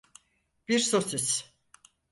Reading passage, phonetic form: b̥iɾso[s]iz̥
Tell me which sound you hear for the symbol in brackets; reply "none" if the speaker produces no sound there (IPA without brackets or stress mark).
s